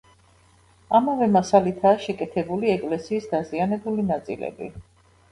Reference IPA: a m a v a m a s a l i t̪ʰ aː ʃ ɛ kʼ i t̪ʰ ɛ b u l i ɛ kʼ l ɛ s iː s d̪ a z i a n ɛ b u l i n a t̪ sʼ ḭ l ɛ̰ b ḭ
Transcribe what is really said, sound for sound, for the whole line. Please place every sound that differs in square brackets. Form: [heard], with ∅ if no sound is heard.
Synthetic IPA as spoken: a m a v [ɛ] m a s a l i t̪ʰ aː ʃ ɛ kʼ [ɛ] t̪ʰ ɛ b u l i ɛ kʼ l ɛ s iː s d̪ a z i a n ɛ b u l i n a t̪ sʼ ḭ l ɛ̰ b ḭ